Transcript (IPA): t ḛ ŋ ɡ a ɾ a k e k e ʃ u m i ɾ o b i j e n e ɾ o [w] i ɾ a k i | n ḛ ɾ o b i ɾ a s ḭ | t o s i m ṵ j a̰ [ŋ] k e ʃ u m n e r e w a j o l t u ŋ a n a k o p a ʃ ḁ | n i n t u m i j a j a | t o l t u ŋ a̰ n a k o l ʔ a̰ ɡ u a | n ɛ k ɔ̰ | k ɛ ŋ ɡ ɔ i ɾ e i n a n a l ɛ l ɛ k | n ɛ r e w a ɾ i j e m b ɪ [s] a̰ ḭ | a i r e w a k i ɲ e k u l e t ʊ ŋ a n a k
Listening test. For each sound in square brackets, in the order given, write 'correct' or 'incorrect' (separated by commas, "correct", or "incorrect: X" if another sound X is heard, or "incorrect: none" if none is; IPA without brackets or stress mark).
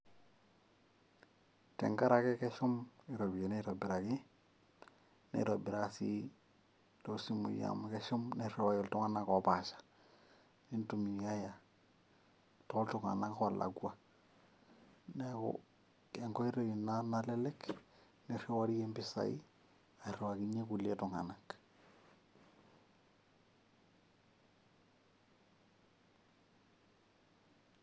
incorrect: b, incorrect: m, correct